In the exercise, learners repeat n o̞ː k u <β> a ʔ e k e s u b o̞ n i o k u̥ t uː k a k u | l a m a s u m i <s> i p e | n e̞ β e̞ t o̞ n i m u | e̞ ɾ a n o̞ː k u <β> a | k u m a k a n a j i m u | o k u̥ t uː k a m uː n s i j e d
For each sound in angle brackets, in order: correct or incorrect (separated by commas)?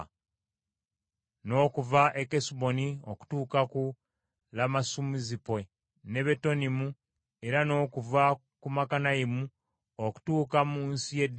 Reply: incorrect, incorrect, incorrect